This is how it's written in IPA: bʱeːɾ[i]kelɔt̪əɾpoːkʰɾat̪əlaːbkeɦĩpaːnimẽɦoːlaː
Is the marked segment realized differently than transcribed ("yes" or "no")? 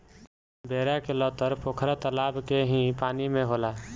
yes